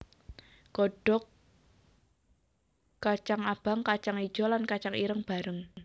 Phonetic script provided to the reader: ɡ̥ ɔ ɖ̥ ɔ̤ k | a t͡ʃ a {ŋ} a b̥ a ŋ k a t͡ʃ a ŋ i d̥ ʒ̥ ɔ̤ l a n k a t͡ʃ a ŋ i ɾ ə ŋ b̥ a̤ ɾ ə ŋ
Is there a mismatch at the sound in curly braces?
no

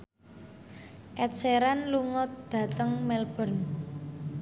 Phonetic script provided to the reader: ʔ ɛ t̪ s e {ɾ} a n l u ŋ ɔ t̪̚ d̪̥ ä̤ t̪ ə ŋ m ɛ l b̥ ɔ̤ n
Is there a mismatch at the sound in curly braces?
no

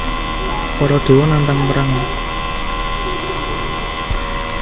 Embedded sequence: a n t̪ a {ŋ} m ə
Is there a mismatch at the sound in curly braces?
no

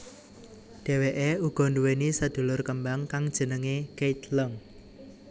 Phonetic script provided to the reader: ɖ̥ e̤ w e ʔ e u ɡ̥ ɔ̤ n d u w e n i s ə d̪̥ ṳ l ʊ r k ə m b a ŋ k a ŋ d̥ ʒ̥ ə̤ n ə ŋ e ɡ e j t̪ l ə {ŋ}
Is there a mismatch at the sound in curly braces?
no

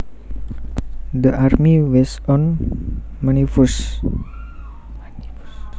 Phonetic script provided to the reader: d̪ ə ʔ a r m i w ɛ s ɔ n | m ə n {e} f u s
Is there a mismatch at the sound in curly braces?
yes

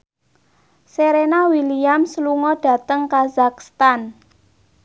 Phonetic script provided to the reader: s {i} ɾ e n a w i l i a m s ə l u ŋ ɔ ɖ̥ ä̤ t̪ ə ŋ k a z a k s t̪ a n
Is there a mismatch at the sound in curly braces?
yes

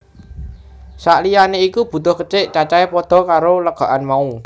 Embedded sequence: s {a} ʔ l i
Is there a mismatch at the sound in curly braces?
no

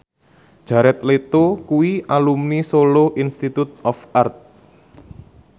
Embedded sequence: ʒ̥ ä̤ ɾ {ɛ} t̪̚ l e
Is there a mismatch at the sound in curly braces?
no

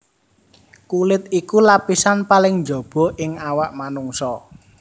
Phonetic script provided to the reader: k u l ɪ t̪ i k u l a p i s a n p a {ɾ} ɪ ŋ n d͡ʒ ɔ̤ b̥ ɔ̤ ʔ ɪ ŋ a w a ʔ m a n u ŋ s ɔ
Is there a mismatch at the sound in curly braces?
yes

